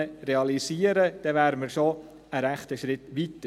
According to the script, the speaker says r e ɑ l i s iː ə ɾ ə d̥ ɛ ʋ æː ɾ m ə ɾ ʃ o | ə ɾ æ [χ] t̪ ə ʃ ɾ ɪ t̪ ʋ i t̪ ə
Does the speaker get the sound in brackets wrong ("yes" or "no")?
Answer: no